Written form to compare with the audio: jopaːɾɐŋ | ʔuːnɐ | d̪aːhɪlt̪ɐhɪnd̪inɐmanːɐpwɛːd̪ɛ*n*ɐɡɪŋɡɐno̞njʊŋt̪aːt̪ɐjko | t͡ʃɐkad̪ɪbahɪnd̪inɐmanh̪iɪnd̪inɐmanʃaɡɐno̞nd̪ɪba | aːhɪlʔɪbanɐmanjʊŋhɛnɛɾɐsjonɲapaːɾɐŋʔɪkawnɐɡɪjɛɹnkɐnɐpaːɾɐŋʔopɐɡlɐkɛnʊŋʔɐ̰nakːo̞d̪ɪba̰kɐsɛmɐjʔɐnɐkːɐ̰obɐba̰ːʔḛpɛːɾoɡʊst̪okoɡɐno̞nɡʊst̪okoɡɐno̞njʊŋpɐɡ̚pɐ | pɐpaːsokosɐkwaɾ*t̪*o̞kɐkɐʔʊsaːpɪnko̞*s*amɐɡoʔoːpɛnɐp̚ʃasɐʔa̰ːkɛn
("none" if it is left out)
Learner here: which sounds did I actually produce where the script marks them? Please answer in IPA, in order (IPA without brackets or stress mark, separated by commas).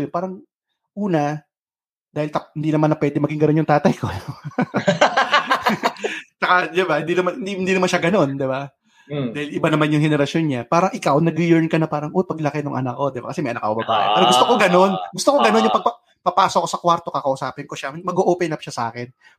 m, t̪, ʃ